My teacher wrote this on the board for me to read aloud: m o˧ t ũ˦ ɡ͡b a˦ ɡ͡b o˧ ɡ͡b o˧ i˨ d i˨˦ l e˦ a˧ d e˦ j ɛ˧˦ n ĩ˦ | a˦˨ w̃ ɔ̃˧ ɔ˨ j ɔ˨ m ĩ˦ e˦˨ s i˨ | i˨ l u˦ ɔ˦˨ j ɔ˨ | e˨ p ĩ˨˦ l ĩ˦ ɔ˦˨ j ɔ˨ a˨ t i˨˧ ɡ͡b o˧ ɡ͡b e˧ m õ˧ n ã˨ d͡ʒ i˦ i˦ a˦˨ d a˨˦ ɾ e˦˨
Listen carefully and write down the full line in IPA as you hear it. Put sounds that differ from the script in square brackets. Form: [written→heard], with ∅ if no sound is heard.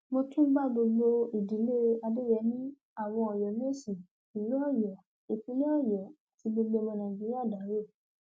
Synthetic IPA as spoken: m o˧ t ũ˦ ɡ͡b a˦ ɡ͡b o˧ ɡ͡b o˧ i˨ d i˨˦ l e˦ a˧ d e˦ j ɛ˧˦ n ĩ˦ | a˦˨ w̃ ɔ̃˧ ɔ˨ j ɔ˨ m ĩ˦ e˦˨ s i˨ | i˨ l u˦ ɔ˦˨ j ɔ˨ | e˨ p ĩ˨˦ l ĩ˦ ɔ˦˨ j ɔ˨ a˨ t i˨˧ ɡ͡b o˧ ɡ͡b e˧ m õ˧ n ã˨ d͡ʒ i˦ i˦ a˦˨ d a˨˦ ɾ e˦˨